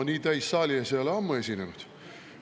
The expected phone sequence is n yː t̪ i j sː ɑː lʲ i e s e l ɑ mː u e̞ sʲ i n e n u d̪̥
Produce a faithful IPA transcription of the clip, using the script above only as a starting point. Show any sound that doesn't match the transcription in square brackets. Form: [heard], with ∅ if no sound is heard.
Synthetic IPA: n [iː] t̪ [æ] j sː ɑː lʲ i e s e l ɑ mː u e̞ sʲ i n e n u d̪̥